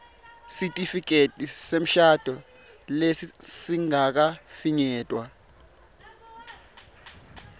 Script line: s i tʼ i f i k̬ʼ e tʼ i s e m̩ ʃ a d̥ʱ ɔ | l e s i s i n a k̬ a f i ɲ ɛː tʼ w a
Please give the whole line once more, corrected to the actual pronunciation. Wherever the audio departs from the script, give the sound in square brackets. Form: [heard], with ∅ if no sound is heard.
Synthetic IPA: s i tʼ i f i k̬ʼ e tʼ i s e m̩ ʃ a d̥ʱ ɔ | l e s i s i [ŋ] a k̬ a f i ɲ ɛː tʼ w a

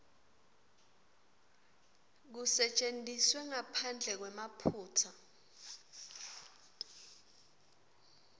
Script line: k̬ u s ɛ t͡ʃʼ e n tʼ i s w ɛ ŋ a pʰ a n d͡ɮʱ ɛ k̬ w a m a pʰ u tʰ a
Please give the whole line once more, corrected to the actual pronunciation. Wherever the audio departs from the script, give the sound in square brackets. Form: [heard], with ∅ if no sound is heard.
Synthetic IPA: k̬ u s ɛ t͡ʃʼ e n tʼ i s w ɛ ŋ a pʰ a n d͡ɮʱ ɛ k̬ w [ɛ] m a pʰ [uː] tʰ a

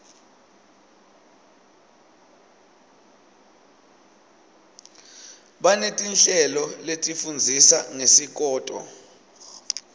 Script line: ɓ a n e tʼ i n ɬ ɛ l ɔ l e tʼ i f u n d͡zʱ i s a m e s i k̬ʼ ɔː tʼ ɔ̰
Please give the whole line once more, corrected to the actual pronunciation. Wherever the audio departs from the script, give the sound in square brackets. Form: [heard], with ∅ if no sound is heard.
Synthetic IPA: ɓ a n e tʼ i n ɬ ɛ l ɔ l e tʼ i f u n d͡zʱ i s a [ŋ] e s i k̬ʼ ɔː tʼ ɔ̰

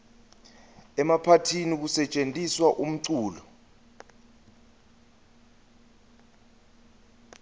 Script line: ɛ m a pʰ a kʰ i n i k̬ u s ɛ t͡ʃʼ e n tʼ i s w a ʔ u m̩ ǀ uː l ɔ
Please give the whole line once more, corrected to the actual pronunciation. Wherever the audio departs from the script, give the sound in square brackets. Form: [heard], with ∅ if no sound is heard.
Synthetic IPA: ɛ m a pʰ a [tʰ] i n i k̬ u s ɛ t͡ʃʼ e n tʼ i s w a ʔ u m̩ ǀ uː l ɔ

